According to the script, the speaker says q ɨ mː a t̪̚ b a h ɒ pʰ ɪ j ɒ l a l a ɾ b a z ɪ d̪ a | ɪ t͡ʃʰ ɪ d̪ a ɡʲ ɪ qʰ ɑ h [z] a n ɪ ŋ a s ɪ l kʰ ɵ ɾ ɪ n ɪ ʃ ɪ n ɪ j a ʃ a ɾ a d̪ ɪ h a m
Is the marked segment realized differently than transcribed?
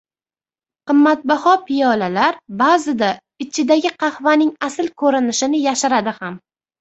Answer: yes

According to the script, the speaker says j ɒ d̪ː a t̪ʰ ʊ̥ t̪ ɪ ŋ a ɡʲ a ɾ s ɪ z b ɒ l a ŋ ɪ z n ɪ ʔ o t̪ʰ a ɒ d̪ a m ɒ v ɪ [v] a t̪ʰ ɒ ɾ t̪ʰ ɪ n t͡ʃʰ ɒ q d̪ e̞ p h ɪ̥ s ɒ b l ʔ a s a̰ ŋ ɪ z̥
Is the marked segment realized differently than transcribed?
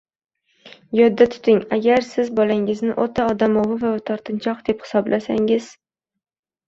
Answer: no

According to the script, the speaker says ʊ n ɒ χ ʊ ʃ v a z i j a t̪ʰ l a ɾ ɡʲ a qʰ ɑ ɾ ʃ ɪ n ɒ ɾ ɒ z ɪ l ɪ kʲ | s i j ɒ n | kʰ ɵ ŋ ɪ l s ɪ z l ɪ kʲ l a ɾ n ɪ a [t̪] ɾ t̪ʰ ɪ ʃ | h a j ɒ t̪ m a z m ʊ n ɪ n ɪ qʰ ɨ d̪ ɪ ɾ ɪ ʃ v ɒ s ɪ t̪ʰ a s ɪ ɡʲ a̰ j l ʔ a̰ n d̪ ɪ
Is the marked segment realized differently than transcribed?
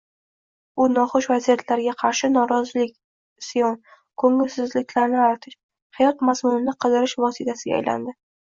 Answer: yes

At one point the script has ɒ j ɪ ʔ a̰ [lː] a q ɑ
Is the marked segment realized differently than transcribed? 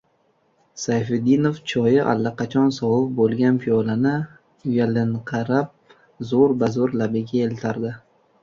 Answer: no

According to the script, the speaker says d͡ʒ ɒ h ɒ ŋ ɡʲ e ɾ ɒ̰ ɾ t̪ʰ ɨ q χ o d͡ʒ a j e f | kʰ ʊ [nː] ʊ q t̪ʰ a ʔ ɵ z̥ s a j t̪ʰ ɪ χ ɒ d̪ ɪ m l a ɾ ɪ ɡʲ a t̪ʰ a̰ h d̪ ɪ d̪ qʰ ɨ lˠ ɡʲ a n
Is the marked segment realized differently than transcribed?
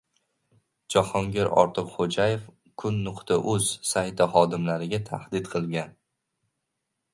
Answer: no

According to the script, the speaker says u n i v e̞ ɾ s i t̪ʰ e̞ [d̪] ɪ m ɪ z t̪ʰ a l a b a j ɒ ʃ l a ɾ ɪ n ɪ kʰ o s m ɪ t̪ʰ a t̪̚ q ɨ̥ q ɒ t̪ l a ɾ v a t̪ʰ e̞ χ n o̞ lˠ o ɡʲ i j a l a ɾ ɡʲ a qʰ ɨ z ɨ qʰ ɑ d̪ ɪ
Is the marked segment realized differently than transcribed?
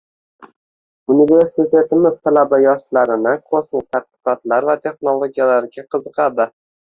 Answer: yes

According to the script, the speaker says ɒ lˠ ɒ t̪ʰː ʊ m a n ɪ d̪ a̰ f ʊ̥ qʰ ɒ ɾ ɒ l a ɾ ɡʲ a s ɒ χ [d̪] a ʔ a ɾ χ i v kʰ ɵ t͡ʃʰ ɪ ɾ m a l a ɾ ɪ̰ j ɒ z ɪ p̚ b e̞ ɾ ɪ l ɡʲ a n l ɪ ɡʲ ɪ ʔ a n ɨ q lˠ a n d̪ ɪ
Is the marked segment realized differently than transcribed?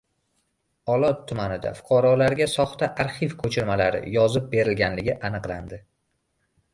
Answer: yes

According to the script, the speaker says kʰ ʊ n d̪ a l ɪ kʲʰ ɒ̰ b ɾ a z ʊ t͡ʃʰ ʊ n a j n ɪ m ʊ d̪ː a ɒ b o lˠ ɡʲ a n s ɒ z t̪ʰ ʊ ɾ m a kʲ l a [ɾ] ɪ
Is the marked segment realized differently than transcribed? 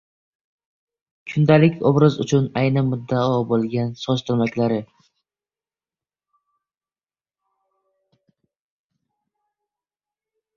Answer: no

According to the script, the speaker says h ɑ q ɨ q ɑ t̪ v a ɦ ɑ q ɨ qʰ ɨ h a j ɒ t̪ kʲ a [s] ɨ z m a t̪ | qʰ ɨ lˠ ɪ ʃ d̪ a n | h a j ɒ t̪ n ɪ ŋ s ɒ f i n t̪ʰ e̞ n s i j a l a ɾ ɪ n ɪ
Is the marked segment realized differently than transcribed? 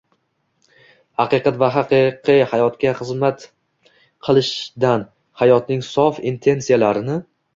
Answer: yes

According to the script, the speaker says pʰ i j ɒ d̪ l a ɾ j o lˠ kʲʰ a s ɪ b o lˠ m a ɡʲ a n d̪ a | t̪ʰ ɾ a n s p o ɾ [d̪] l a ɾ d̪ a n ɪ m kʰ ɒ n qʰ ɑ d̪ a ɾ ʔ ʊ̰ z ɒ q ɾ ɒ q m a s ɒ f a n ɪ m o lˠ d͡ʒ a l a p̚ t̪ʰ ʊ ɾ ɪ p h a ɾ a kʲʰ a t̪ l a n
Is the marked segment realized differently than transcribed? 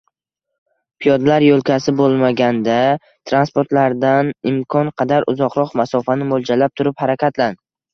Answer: yes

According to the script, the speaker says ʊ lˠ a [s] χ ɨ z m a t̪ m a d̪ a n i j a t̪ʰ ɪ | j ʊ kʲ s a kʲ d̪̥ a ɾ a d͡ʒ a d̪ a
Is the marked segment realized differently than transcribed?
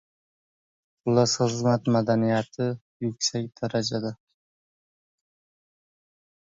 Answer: no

